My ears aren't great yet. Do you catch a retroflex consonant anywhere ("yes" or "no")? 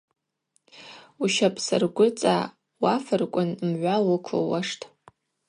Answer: yes